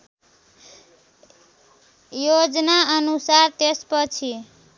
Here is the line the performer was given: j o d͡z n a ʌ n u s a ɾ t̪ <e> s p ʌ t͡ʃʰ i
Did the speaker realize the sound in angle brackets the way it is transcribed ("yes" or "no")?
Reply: yes